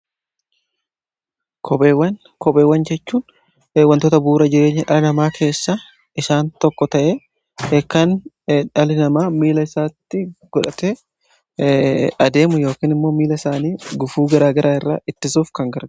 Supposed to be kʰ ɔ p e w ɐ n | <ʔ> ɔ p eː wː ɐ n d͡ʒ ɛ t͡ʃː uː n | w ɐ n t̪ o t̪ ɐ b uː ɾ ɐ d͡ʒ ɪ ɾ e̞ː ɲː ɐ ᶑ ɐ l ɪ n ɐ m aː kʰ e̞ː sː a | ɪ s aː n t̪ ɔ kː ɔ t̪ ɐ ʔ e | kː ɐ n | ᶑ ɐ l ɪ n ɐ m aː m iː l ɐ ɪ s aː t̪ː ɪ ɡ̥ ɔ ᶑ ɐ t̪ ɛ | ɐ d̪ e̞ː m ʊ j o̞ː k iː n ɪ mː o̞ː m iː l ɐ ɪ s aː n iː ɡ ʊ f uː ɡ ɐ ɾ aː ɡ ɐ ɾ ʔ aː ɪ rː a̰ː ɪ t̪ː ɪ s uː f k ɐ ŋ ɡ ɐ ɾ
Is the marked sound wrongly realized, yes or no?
yes